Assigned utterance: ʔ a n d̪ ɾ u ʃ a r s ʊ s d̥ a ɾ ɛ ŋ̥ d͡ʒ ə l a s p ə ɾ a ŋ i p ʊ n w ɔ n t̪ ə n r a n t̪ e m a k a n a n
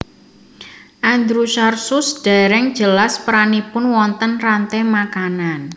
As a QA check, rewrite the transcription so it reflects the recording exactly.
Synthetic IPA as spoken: ʔ a n d̪ ɾ u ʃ a r s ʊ s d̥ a ɾ ɛ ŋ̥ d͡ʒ ə l a s p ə ɾ a n i p ʊ n w ɔ n t̪ ə n r a n t̪ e m a k a n a n